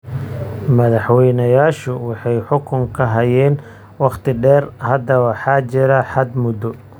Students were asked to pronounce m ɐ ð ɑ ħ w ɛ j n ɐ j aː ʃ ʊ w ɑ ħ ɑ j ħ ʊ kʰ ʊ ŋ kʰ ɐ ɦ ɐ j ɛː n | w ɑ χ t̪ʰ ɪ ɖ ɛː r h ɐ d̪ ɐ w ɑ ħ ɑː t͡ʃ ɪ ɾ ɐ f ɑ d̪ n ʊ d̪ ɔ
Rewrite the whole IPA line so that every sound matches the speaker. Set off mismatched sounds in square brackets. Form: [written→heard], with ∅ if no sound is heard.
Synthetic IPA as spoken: m ɐ ð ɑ ħ w ɛ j n ɐ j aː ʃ ʊ w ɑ ħ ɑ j ħ ʊ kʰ ʊ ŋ kʰ ɐ ɦ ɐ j ɛː n | w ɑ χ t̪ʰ ɪ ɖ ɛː r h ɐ d̪ ɐ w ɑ ħ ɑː t͡ʃ ɪ ɾ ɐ [f→ħ] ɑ d̪ [n→m] ʊ d̪ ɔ